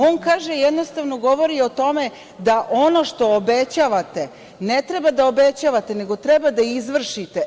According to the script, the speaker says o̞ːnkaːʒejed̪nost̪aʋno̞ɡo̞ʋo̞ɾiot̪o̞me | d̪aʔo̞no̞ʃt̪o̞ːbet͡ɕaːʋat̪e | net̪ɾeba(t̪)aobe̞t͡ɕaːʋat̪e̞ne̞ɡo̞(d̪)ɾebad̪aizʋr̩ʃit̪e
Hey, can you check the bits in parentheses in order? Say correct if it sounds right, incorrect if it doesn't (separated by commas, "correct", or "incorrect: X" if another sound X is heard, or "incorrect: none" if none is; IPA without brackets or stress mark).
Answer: incorrect: d̪, incorrect: t̪